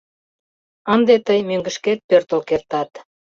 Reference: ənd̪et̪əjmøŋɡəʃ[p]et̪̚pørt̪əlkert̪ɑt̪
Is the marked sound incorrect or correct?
incorrect